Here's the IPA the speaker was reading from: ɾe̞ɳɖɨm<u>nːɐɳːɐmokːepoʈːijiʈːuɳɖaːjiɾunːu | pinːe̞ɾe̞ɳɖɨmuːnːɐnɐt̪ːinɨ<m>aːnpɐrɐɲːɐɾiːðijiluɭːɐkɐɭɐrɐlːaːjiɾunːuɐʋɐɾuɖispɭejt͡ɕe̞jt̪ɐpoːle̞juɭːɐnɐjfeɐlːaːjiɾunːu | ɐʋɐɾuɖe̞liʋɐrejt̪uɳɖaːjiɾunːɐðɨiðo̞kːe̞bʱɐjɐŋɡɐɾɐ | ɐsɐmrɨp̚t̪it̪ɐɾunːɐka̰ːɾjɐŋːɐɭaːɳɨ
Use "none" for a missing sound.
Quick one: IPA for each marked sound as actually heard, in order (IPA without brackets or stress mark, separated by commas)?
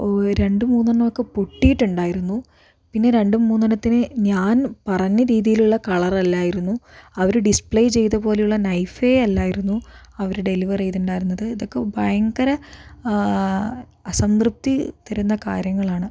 uː, ɲ